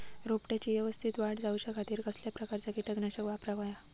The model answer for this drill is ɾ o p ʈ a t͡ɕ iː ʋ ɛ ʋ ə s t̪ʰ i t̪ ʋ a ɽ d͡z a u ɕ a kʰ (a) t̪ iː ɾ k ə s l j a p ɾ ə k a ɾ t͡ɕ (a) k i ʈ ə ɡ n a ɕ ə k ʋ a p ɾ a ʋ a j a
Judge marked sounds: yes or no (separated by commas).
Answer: yes, yes